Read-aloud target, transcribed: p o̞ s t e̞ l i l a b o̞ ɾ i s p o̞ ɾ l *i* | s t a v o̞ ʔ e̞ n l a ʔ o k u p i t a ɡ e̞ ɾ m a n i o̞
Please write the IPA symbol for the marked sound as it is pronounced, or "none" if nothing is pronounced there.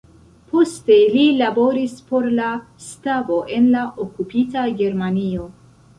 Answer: a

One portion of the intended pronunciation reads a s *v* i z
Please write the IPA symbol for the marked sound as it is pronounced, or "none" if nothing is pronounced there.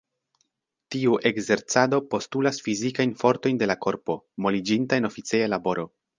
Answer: f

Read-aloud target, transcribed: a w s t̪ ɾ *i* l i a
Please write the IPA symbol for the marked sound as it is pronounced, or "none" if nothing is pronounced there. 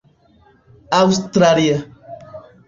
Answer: a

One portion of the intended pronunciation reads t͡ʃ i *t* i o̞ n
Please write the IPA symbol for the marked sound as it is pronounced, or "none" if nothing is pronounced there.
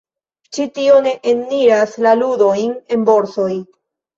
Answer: t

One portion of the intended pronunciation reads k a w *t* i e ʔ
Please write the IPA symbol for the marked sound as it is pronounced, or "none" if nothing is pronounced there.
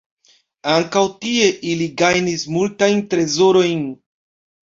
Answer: t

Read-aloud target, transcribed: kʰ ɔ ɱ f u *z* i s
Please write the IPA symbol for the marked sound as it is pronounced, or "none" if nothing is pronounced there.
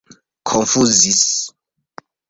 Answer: z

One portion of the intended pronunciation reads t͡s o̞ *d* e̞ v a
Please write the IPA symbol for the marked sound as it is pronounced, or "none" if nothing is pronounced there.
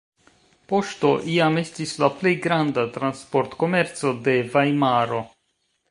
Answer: d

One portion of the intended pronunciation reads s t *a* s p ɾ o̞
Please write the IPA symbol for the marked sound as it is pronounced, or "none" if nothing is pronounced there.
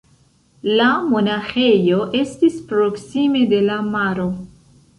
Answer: i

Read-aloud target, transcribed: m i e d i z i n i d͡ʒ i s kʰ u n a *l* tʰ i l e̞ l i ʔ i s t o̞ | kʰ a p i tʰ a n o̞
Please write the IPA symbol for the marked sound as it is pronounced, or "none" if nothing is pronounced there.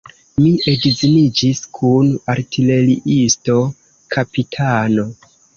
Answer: ɾ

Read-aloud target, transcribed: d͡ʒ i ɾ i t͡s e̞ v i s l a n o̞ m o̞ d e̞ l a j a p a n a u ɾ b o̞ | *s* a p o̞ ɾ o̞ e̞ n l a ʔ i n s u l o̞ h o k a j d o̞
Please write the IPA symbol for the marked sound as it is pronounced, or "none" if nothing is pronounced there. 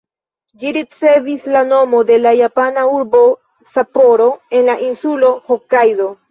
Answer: s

